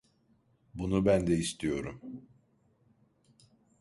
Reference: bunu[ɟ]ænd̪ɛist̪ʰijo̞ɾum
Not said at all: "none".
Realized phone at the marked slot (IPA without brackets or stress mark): b